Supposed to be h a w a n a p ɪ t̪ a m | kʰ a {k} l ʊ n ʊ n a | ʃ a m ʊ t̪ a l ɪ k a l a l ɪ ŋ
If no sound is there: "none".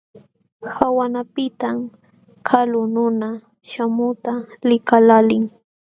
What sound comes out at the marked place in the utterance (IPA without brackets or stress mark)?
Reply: none